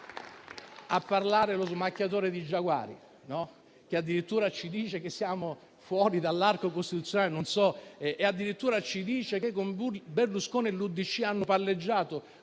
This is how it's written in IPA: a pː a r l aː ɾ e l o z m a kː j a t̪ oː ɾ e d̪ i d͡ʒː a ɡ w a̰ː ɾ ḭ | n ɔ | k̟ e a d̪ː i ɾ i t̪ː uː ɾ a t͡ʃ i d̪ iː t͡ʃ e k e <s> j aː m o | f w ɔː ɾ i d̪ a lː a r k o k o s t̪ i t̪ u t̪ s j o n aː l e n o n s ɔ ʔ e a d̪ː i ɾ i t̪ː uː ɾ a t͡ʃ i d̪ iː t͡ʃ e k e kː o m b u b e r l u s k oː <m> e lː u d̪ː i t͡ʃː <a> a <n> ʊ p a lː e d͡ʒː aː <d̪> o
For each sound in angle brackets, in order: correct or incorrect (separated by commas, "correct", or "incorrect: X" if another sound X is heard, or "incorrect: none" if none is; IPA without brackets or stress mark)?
incorrect: sː, incorrect: n, incorrect: i, incorrect: nː, incorrect: t̪